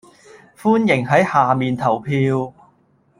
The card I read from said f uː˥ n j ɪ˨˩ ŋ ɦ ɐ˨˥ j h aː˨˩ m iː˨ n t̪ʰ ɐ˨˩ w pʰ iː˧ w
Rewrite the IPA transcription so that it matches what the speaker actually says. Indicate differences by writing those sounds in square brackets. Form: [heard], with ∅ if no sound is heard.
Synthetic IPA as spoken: f uː˥ n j ɪ˨˩ ŋ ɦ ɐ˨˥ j h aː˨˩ m iː˨ n t̪ʰ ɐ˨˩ w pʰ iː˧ w